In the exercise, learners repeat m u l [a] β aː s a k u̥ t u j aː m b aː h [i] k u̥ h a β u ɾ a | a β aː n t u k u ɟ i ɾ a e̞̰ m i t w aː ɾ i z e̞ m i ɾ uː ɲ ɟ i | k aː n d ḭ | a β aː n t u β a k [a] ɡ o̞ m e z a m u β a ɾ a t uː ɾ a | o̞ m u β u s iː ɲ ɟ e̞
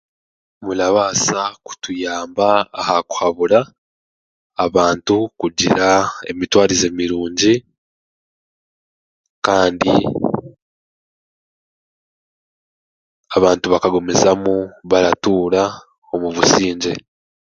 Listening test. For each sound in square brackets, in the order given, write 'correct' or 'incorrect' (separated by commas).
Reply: correct, incorrect, correct